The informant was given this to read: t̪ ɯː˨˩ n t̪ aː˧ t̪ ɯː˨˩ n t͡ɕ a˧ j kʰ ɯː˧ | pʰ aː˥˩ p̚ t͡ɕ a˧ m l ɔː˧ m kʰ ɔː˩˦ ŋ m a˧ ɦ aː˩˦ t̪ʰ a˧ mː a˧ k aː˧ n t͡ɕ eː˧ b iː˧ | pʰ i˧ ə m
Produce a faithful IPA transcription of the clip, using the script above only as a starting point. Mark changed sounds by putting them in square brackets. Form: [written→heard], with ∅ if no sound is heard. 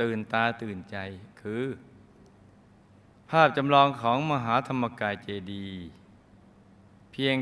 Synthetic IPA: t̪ ɯː˨˩ n t̪ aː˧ t̪ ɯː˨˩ n t͡ɕ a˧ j kʰ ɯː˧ | pʰ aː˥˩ p̚ t͡ɕ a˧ m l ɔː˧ [m→ŋ] kʰ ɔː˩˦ ŋ m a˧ ɦ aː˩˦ t̪ʰ a˧ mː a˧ k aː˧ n t͡ɕ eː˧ [b→d] iː˧ | pʰ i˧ ə [m→ŋ]